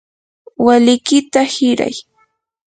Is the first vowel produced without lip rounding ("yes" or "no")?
yes